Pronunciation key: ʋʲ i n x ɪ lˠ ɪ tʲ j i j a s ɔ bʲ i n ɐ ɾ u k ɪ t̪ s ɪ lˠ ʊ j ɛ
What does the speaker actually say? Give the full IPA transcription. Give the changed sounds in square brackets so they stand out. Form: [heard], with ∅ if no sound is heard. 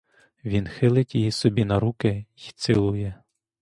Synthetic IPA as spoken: ʋʲ i n x ɪ lˠ ɪ tʲ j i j [i] s ɔ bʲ i n ɐ ɾ u k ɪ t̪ s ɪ lˠ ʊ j ɛ